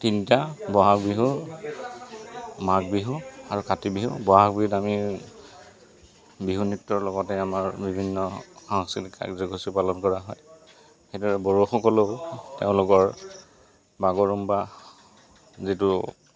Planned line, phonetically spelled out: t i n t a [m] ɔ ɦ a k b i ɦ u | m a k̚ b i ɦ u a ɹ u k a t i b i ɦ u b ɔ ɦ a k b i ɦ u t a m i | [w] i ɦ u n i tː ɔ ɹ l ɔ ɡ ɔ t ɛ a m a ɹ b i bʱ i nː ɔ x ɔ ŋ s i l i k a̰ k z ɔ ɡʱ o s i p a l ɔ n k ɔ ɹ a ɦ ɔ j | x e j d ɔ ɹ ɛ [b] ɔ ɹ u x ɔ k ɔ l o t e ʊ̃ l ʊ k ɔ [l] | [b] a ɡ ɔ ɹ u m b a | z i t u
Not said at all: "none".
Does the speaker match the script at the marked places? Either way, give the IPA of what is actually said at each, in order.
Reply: b, b, b, ɹ, b

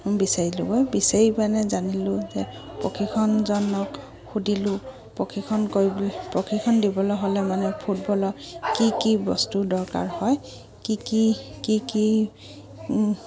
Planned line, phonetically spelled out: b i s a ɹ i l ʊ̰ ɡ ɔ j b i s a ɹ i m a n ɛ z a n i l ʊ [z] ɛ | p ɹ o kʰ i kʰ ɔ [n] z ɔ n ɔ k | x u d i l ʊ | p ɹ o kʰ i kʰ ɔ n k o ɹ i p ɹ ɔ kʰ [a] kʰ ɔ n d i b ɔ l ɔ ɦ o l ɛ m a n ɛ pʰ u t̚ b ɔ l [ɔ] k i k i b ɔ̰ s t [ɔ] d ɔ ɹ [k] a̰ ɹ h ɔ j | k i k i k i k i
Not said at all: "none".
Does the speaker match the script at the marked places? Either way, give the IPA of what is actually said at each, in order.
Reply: z, n, i, ɔ, u, k

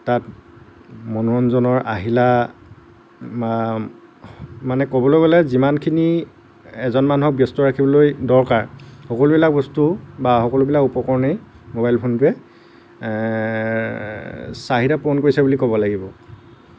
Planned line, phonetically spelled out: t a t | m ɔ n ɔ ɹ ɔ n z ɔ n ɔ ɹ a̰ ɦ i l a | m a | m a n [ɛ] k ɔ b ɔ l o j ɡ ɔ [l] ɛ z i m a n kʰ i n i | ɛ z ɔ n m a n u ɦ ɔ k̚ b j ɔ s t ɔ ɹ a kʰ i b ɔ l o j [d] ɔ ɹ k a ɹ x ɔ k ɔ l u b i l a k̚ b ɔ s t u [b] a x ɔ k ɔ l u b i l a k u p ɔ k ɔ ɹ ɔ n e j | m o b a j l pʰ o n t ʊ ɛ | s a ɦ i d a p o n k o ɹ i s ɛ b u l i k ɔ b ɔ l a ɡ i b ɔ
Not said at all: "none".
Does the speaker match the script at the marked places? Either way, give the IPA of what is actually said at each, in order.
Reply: ɛ, l, d, b

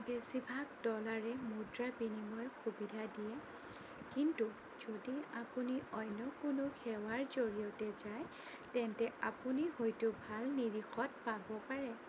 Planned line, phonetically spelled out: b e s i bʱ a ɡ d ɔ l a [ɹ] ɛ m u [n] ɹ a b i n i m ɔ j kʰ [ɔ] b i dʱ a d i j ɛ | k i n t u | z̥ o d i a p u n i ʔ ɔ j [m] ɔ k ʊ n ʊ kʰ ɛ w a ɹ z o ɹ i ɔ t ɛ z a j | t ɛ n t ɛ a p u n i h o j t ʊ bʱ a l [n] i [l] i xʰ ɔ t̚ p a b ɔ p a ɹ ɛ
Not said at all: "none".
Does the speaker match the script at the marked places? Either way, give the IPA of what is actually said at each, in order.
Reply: ɹ, d, u, n, n, ɹ

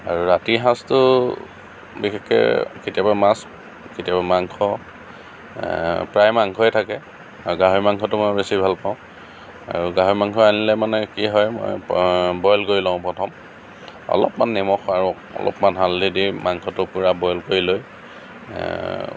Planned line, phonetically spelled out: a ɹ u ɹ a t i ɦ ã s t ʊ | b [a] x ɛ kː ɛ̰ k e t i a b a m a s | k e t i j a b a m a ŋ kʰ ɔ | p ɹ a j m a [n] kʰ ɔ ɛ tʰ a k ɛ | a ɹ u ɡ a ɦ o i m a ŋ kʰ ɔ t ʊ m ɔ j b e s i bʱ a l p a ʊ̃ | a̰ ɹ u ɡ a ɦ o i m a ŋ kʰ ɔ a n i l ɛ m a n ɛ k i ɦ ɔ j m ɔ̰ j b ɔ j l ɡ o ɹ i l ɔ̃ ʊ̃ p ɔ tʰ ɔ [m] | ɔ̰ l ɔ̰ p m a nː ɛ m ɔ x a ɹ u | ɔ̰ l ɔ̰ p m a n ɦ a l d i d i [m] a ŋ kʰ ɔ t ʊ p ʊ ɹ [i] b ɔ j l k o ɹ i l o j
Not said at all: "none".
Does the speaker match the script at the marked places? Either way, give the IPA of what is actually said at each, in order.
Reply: i, ŋ, m, m, a

